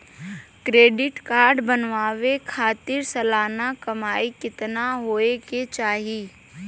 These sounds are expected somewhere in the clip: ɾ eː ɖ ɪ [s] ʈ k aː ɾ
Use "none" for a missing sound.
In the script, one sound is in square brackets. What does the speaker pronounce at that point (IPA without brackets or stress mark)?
none